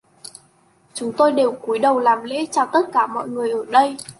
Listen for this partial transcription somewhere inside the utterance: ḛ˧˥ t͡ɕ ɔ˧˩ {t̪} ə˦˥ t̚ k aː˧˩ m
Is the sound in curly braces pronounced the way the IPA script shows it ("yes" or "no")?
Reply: yes